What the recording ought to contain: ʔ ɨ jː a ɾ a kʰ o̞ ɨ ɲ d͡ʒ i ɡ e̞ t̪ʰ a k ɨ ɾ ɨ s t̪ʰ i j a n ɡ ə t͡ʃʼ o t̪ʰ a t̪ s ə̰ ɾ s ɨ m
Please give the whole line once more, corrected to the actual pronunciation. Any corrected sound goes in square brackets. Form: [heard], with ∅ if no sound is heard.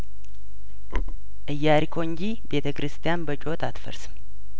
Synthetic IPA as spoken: ʔ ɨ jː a ɾ [i] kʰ o̞ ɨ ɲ d͡ʒ i [b] e̞ t̪ʰ [ə] k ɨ ɾ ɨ s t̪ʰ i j a n [b] ə t͡ʃʼ o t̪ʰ a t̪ [f] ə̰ ɾ s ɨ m